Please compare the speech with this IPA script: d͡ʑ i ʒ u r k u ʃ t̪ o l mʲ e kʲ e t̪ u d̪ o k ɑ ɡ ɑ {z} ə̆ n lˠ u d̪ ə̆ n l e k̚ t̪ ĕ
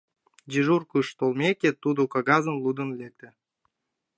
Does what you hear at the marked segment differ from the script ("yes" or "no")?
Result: no